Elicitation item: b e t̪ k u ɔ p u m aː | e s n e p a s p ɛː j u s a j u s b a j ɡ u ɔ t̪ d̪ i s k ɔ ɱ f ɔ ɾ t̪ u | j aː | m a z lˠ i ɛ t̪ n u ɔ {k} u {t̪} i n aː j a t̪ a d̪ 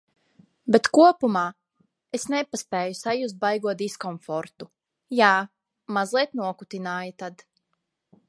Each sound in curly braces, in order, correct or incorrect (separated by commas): correct, correct